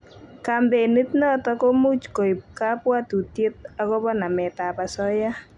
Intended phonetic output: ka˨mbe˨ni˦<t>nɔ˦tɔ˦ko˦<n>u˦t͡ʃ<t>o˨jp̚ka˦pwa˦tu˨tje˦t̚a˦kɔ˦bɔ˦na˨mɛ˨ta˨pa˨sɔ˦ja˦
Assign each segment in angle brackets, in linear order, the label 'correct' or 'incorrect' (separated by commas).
correct, incorrect, incorrect